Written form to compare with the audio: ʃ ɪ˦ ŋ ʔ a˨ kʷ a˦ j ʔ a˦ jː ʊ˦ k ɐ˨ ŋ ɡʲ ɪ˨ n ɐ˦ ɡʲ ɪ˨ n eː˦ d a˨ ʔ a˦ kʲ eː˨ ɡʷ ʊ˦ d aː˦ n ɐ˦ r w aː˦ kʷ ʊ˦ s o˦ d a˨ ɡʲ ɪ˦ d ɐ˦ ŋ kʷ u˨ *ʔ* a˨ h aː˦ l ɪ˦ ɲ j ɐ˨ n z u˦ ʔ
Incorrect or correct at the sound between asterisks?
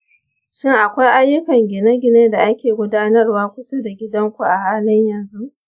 correct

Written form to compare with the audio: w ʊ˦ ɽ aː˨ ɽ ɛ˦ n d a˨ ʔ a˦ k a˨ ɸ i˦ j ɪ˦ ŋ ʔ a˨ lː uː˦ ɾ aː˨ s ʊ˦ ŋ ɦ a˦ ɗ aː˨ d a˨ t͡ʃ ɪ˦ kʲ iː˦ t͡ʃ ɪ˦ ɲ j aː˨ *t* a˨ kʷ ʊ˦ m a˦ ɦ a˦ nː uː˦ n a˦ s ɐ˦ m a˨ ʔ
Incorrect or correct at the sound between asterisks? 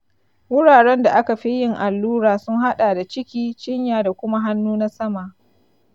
incorrect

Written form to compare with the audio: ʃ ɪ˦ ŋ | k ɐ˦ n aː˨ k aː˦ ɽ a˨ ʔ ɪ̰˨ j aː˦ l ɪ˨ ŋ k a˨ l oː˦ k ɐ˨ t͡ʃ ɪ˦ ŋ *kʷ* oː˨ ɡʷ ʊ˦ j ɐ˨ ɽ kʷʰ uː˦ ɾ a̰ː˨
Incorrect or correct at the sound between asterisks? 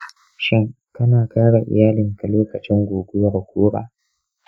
incorrect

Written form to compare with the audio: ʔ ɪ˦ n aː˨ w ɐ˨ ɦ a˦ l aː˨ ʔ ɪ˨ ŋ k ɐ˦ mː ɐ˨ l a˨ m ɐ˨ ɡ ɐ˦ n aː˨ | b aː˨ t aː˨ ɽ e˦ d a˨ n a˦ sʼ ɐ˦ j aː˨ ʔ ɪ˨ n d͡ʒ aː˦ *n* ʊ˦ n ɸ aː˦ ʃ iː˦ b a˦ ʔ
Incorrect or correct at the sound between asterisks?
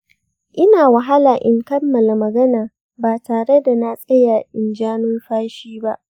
correct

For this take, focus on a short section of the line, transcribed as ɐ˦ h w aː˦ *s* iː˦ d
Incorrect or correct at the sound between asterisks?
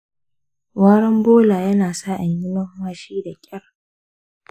incorrect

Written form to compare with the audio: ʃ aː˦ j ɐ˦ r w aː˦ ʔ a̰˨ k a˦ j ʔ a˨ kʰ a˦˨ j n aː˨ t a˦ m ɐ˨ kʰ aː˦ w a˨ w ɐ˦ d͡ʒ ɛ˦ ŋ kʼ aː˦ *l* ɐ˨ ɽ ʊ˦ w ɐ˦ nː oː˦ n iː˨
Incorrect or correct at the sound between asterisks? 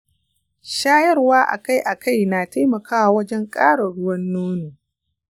incorrect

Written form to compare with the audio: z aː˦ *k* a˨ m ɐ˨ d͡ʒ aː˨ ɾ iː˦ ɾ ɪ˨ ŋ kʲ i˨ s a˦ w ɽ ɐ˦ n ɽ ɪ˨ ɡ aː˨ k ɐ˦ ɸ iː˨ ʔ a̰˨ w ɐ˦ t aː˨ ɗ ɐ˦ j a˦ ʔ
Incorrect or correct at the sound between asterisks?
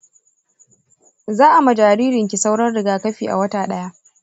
incorrect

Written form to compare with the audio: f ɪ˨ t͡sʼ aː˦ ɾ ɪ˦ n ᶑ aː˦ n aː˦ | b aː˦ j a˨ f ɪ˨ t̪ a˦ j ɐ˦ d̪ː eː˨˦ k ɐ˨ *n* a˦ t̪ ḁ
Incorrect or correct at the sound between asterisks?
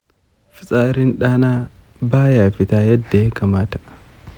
incorrect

